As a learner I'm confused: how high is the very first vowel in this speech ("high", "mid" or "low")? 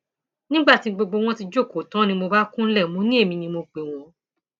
high